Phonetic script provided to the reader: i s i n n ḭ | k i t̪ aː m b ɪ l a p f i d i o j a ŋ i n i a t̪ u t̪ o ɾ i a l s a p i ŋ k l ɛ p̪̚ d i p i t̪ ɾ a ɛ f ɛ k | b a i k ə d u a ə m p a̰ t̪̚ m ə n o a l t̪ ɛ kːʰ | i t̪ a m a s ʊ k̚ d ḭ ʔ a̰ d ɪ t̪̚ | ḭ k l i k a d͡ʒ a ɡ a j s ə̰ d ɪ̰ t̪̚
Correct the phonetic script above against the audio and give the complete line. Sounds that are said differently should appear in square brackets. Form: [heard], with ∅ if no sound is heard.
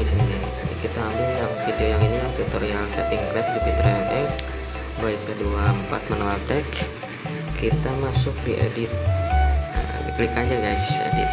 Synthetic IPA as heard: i s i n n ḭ | k i t̪ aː m b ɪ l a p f i d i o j a ŋ i n i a t̪ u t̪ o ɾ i a l s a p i ŋ k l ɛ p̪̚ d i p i t̪ ɾ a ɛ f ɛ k | b a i k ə d u a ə m p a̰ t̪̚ m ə n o a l t̪ ɛ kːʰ | i t̪ a m a s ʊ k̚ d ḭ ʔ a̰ d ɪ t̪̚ | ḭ k l i k a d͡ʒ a ɡ a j s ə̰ d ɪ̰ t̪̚

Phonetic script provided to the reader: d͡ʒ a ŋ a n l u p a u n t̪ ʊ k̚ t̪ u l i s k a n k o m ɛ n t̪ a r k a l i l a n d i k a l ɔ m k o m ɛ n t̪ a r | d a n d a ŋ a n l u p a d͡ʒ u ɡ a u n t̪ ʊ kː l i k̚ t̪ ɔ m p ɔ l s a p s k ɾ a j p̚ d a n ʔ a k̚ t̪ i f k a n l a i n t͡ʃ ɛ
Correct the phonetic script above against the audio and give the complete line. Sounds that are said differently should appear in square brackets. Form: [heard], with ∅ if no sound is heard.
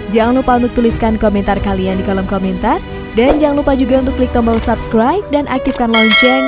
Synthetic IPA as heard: d͡ʒ a ŋ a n l u p a u n t̪ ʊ k̚ t̪ u l i s k a n k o m ɛ n t̪ a r k a l i [∅] a n d i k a l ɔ m k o m ɛ n t̪ a r | d a n [d͡ʒ] a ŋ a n l u p a d͡ʒ u ɡ a u n t̪ ʊ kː l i k̚ t̪ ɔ m [b] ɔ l s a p s k ɾ a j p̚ d a n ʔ a k̚ t̪ i f k a n l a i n t͡ʃ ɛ

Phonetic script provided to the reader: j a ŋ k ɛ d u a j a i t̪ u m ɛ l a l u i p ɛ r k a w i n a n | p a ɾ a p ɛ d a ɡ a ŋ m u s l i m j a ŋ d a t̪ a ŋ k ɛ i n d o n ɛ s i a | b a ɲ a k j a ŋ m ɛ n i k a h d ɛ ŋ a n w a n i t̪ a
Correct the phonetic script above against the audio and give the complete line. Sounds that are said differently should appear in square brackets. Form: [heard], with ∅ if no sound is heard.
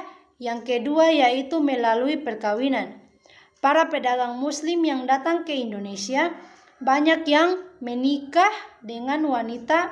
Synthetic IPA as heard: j a ŋ k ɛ d u a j a i t̪ u m ɛ l a l u i p ɛ r k a w i n a n | p a ɾ a p ɛ d a ɡ a ŋ m u s l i m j a ŋ d a t̪ a ŋ k ɛ i n d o n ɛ s i a | b a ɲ a k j a ŋ m ɛ n i k a h d ɛ ŋ a n w a n i t̪ a

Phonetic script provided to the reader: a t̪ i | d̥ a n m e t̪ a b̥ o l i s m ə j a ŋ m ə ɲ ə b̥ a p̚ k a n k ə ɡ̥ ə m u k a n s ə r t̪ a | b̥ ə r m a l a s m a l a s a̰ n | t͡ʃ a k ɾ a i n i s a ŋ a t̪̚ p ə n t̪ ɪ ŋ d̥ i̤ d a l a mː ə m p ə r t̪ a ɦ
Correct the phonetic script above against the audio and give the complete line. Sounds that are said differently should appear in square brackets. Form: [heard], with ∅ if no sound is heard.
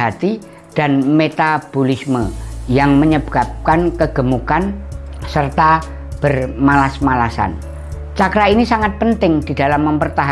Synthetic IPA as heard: a t̪ i | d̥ a n m e t̪ a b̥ o l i s m ə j a ŋ m ə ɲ ə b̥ a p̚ k a n k ə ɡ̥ ə m u k a n s ə r t̪ a | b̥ ə r m a l a s m a l a s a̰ n | t͡ʃ a k ɾ a i n i s a ŋ a t̪̚ p ə n t̪ ɪ ŋ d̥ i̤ d a l a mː ə m p ə r t̪ a ɦ

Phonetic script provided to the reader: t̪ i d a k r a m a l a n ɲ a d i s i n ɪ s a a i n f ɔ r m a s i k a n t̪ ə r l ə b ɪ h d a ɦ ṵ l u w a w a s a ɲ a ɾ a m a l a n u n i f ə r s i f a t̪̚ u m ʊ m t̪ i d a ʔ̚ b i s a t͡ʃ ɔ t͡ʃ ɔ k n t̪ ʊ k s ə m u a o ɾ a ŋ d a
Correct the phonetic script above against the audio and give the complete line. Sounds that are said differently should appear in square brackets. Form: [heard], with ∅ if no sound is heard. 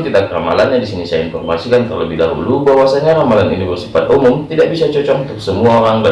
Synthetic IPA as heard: t̪ i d a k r a m a l a n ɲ a d i s i n [i] s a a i n f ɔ r m a s i k a n t̪ ə r l ə b ɪ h d a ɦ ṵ l u [b] a w a s a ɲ a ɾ a m a l a n u n i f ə r s i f a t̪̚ u m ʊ m t̪ i d a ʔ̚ b i s a t͡ʃ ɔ t͡ʃ ɔ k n t̪ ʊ k s ə m u a o ɾ a ŋ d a

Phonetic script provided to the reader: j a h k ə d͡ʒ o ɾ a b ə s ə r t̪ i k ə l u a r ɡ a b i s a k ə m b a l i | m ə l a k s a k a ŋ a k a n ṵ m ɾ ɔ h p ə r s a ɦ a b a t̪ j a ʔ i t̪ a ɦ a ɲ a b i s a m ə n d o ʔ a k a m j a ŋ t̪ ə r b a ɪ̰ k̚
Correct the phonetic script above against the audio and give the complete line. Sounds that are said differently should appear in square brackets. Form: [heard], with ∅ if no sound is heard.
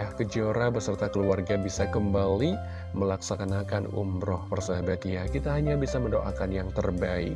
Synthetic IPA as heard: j a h k ə d͡ʒ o ɾ a b ə s ə r t̪ [a] k ə l u a r ɡ a b i s a k ə m b a l i | m ə l a k s a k a [n] a k a n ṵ m ɾ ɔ h p ə r s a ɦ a b a t̪ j a [k] i t̪ a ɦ a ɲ a b i s a m ə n d o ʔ a k a [n] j a ŋ t̪ ə r b a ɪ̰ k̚

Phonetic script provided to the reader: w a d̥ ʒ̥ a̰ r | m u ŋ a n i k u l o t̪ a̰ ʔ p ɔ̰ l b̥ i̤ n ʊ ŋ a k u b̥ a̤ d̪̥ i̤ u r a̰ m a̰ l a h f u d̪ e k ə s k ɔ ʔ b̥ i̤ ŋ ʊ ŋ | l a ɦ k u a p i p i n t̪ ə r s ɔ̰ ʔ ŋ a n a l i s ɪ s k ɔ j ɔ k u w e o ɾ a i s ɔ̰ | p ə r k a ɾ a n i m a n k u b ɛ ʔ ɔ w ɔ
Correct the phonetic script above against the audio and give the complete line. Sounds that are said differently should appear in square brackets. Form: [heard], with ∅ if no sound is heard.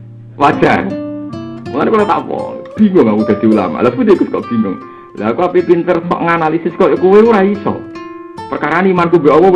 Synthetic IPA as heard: w a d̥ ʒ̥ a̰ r | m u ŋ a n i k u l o t̪ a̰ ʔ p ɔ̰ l b̥ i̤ [ŋ] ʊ ŋ a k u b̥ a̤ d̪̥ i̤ u [l] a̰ m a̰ l a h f u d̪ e k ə s k ɔ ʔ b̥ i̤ ŋ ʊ ŋ | l a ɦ k u a p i p i n t̪ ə r s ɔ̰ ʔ ŋ a n a l i s ɪ s k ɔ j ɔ k u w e [u] ɾ a i s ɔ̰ | p ə r k a ɾ a n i m a n k u b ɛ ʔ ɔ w ɔ

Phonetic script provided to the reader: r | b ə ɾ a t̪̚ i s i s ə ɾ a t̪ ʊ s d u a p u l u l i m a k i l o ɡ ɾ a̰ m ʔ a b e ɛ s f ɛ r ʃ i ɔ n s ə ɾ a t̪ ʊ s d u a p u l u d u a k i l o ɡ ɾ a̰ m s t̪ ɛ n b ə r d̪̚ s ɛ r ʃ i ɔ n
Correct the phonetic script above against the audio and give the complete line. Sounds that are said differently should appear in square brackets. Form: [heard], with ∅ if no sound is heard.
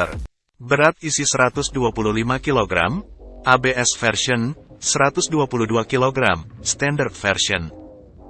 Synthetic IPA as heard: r | b ə ɾ a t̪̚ i s i s ə ɾ a t̪ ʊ s d u a p u l u l i m a k i l o ɡ ɾ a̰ m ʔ a b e ɛ s f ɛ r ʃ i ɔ n s ə ɾ a t̪ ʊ s d u a p u l u d u a k i l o ɡ ɾ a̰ m s t̪ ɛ n [d] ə r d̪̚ [f] ɛ r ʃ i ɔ n

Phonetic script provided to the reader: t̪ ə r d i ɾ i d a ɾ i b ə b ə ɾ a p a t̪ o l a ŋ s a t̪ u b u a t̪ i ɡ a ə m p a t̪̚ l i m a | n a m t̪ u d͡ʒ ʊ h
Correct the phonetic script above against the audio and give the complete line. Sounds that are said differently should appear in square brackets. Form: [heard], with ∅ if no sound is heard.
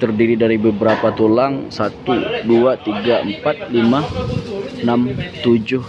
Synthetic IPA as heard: t̪ ə r d i ɾ i d a ɾ i b ə b ə ɾ a p a t̪ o l a ŋ s a t̪ u [d] u a t̪ i ɡ a ə m p a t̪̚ l i m a | n a m t̪ u d͡ʒ ʊ h

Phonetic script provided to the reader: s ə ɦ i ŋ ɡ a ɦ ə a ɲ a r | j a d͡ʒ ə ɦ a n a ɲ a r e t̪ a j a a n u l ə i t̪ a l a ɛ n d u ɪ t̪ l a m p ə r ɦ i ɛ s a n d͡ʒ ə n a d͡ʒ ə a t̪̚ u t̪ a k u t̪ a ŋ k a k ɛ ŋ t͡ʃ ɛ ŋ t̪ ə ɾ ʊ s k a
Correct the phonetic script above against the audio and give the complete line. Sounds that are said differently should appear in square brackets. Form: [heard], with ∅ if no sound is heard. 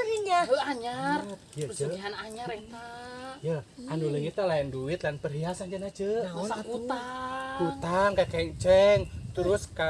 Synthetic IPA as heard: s ə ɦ i ŋ ɡ a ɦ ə a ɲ a r | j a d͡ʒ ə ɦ a n a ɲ a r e t̪ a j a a n u l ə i t̪ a l a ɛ n d u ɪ t̪ l a [n] p ə r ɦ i [a] s a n d͡ʒ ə n a d͡ʒ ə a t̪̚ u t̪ a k u t̪ a ŋ k a k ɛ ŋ t͡ʃ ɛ ŋ t̪ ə ɾ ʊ s k a

